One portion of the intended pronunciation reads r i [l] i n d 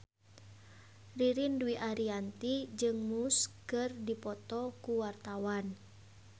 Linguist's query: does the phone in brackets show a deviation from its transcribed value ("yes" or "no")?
yes